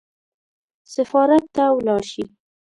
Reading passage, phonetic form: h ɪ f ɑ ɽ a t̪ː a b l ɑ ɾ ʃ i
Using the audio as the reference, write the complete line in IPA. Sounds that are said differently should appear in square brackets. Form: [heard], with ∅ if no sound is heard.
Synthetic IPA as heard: [s] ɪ f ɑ [ɾ] a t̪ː a [w] l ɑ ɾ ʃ i